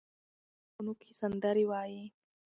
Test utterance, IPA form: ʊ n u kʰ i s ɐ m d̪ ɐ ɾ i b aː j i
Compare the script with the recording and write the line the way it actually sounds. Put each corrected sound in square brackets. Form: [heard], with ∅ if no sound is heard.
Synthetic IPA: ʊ n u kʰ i s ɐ [n] d̪ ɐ ɾ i [w] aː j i